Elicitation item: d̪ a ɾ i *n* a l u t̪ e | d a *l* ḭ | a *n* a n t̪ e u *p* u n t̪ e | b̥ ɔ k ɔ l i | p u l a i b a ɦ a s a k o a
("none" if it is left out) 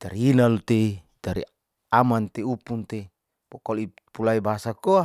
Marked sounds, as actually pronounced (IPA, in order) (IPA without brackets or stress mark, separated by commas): n, ɾ, m, p